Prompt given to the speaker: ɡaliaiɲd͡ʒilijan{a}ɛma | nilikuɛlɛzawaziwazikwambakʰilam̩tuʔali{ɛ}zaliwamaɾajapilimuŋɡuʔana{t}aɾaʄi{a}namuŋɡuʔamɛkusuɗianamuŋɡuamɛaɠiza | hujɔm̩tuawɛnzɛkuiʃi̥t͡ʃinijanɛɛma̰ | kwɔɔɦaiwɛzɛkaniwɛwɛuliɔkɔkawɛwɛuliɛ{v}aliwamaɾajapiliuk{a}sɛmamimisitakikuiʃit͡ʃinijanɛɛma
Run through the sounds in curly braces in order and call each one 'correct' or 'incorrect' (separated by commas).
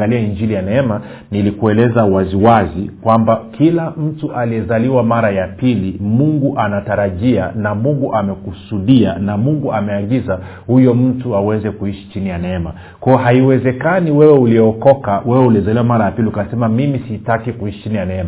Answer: incorrect, correct, correct, correct, incorrect, correct